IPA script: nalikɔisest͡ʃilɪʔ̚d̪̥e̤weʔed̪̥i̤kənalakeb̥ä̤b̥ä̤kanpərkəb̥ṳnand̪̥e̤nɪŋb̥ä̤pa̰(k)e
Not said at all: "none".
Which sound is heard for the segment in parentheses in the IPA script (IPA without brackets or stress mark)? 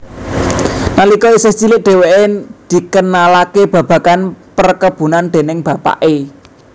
ʔ